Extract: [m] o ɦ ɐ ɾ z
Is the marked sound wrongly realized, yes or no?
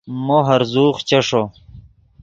no